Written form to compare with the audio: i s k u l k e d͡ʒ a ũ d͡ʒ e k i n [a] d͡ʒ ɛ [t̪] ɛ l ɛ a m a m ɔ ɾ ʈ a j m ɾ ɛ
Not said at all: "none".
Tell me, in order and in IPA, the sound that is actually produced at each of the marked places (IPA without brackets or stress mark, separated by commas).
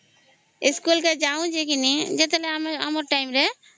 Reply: i, t̪